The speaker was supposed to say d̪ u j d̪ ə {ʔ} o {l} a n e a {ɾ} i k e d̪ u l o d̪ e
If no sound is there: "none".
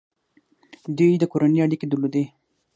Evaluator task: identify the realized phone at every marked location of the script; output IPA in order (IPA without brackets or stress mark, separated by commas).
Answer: k, ɾ, ɽ